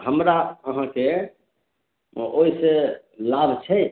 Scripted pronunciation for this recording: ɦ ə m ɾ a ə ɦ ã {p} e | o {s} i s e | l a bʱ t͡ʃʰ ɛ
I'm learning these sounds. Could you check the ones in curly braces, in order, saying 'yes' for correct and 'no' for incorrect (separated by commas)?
no, no